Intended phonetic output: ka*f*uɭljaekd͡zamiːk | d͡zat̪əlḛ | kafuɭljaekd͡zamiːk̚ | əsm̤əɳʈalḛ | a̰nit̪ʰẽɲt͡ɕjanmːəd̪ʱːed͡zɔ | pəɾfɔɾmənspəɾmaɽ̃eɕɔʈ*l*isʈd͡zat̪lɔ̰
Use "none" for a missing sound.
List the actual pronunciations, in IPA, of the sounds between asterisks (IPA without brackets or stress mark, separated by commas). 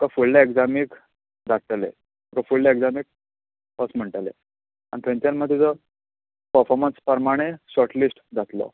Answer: f, l